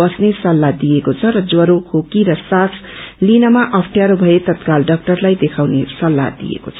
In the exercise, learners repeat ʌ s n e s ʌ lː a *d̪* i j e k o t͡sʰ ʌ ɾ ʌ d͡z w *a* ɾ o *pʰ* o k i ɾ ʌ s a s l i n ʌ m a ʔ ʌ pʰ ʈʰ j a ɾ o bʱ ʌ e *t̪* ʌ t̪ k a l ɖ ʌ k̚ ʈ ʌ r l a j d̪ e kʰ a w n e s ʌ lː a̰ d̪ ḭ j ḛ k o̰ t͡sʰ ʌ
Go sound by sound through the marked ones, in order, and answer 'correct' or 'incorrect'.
correct, incorrect: ʌ, incorrect: kʰ, correct

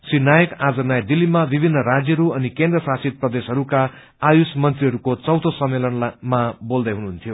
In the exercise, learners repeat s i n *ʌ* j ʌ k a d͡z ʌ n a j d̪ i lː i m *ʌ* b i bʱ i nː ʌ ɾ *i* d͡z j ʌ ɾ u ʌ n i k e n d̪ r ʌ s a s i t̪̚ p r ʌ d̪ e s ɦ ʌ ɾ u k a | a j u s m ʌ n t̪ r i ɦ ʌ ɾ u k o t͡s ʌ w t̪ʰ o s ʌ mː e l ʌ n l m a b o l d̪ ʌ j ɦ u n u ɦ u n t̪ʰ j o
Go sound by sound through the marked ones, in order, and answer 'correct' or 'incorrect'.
incorrect: a, incorrect: a, incorrect: a

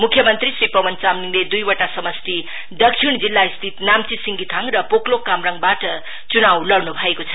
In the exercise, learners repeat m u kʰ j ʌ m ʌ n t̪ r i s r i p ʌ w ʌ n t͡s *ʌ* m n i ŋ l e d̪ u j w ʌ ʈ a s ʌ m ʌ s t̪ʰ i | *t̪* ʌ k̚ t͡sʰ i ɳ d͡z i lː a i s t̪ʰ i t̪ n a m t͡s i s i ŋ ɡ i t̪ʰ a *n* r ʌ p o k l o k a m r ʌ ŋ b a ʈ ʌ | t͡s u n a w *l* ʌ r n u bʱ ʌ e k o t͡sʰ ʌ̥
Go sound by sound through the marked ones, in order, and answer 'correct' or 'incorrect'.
incorrect: a, incorrect: d̪, incorrect: ŋ, correct

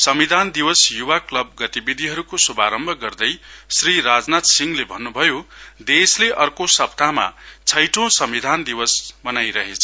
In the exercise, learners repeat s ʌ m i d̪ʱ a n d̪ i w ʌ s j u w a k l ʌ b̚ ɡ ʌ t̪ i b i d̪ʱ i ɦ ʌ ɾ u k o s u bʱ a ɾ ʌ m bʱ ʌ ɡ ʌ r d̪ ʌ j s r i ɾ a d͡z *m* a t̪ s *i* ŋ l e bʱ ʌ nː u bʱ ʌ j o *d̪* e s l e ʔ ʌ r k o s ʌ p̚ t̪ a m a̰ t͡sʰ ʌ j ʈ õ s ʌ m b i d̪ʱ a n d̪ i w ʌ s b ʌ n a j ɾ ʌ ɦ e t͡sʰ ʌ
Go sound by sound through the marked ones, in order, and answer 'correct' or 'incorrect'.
incorrect: n, correct, correct

